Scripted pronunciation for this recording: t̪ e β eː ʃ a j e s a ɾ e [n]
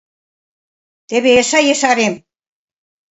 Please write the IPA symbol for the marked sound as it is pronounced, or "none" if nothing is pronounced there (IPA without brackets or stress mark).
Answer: m